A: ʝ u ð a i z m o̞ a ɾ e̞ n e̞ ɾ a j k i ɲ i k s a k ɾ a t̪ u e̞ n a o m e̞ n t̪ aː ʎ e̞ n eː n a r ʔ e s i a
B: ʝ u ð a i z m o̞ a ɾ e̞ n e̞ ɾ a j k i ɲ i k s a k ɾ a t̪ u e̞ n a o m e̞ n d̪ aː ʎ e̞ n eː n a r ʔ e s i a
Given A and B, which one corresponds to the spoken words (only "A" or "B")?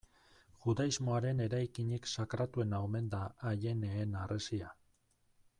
B